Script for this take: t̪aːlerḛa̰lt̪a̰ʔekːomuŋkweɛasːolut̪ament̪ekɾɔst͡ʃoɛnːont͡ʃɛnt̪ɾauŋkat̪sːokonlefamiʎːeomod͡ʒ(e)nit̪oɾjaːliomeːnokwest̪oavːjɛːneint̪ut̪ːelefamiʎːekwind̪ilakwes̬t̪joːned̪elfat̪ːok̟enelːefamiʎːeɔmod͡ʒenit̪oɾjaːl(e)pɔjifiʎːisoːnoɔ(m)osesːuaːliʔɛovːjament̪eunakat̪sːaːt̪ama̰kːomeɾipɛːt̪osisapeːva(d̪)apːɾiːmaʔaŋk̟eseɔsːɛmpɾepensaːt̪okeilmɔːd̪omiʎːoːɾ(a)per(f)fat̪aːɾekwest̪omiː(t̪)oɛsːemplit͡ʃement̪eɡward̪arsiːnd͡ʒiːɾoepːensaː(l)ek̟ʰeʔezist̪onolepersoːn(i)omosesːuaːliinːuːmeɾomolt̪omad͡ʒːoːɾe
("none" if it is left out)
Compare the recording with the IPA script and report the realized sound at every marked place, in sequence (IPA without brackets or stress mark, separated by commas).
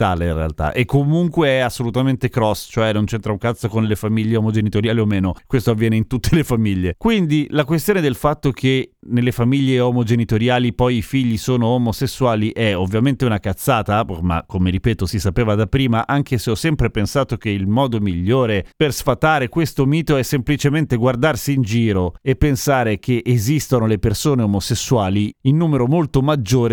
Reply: e, i, m, d̪, e, s, t̪, ɾ, e